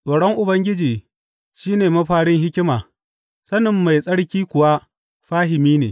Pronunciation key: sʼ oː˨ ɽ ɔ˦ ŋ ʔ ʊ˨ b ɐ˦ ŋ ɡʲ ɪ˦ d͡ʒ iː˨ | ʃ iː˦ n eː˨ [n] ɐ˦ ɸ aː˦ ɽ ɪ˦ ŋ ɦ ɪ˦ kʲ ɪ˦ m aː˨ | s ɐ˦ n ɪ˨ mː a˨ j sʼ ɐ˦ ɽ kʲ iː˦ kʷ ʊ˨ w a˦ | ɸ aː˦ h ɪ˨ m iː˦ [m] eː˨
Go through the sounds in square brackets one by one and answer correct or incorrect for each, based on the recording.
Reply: incorrect: m, incorrect: n

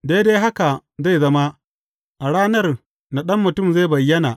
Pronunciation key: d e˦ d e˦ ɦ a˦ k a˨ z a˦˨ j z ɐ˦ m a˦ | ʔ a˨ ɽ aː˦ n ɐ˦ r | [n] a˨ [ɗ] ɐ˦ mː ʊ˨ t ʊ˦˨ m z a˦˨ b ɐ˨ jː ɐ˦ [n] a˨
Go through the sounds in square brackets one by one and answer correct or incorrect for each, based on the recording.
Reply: correct, correct, correct

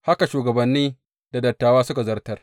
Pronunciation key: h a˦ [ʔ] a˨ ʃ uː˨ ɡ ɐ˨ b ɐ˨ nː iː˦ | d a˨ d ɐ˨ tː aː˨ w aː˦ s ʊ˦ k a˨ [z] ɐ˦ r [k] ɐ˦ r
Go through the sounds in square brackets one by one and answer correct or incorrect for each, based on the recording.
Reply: incorrect: k, correct, incorrect: t

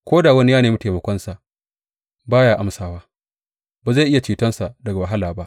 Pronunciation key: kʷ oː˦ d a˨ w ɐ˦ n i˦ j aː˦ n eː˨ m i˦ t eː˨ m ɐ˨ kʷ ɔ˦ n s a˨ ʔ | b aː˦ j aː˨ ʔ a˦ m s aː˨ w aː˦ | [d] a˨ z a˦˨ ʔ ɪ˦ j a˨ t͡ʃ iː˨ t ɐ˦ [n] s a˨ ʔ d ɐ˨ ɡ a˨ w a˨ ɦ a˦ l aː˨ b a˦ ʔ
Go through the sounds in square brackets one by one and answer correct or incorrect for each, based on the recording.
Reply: incorrect: b, correct

